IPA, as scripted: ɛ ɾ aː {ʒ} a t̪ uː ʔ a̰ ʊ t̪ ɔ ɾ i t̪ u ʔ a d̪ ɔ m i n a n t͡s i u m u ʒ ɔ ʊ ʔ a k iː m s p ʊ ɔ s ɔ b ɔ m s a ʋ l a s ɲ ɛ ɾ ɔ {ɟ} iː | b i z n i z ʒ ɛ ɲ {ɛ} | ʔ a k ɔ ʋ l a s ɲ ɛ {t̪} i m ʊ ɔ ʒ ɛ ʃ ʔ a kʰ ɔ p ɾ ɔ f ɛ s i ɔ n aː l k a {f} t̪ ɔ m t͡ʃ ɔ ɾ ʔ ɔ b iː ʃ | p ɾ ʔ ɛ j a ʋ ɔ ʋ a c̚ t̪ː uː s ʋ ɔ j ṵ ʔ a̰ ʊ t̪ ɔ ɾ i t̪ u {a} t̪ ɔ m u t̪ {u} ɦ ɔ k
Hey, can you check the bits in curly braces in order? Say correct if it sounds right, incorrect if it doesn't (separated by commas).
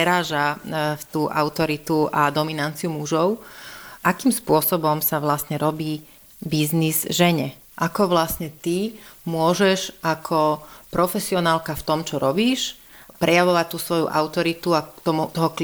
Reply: correct, incorrect, correct, correct, correct, correct, incorrect